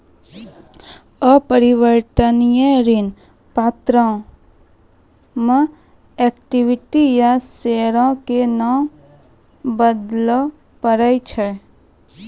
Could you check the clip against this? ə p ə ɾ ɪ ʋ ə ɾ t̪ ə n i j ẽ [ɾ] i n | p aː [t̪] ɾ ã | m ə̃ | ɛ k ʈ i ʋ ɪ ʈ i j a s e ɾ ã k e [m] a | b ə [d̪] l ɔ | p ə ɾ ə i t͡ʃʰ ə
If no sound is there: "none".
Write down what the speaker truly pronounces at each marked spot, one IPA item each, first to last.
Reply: ɾ, t̪, n, d̪

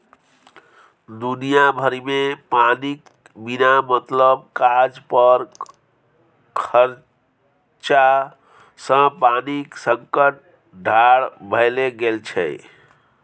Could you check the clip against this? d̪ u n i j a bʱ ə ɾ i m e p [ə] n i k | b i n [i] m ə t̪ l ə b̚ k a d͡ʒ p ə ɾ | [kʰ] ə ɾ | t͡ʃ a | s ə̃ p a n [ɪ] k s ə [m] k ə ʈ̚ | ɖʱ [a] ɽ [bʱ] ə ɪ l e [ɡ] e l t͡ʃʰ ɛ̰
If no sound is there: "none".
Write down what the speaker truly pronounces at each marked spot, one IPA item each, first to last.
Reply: a, a, kʰ, i, ŋ, a, bʱ, ɡ

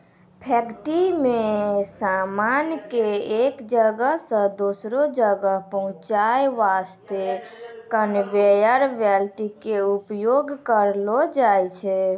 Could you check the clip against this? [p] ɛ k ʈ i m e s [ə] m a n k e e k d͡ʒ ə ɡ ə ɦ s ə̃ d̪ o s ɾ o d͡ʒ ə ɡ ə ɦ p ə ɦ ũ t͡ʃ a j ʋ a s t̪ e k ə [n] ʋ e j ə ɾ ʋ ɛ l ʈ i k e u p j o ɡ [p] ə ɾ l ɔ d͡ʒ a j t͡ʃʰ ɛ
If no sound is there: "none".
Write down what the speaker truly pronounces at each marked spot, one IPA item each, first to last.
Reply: pʰ, a, n, k

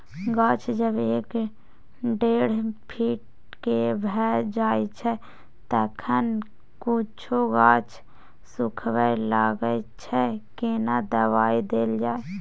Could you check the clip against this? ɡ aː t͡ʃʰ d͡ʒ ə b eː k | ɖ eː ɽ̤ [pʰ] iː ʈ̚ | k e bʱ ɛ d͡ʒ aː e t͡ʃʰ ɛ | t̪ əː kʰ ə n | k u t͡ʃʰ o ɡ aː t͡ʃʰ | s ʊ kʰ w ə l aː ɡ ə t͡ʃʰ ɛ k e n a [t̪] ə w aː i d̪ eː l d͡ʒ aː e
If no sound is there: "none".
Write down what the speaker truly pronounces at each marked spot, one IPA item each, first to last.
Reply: pʰ, d̪

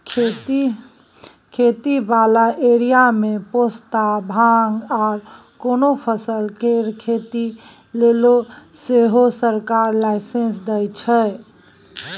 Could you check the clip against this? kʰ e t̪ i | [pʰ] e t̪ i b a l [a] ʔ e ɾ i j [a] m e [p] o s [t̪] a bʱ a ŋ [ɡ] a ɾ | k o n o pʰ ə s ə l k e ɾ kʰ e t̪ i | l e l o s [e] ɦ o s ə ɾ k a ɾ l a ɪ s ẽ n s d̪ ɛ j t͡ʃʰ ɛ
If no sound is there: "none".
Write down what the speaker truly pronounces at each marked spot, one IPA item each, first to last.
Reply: kʰ, a, a, p, t̪, ɡ, e

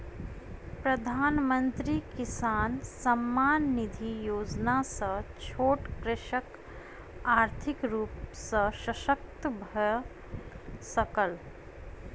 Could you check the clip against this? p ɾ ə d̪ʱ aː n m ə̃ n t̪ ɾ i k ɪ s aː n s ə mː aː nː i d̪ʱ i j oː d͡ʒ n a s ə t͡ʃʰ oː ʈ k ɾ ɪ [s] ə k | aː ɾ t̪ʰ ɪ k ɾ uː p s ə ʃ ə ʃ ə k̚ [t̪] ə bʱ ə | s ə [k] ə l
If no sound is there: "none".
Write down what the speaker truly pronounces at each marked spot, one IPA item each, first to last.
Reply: ʃ, t̪, k

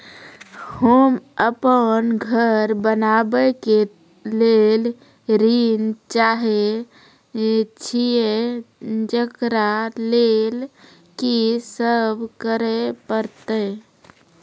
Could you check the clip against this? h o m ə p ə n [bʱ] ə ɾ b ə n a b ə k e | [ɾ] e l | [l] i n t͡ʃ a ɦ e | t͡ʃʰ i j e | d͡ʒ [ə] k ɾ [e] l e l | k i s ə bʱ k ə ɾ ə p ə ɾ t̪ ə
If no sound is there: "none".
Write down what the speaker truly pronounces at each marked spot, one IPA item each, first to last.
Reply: ɡʱ, l, ɾ, ə, a

